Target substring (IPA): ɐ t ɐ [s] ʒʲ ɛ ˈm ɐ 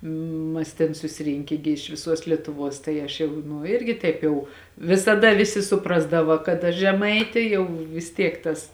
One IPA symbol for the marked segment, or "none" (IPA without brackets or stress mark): ʃ